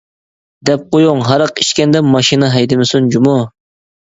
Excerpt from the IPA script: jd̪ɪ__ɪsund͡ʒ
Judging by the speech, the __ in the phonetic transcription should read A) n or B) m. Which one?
B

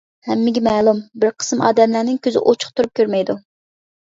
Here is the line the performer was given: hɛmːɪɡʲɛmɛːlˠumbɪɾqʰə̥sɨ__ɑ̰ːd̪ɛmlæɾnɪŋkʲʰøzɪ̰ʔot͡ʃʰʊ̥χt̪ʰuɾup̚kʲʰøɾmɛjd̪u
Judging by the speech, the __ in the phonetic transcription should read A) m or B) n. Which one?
A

